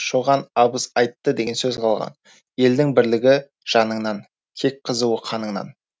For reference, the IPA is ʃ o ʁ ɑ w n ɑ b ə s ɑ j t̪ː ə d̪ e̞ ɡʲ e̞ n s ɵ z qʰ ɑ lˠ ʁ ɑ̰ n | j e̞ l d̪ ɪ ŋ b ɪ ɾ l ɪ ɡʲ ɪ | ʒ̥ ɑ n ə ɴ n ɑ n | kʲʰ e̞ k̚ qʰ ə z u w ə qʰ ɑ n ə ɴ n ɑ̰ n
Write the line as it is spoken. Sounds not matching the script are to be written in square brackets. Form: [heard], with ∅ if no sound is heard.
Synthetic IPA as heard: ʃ o ʁ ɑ [∅] n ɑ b ə s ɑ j t̪ː ə d̪ e̞ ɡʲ e̞ n s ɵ z qʰ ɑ lˠ ʁ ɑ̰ n | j e̞ l d̪ ɪ ŋ b ɪ ɾ l ɪ ɡʲ ɪ | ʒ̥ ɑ n ə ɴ n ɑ n | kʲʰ e̞ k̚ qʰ ə z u w ə qʰ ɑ n ə ɴ n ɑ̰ n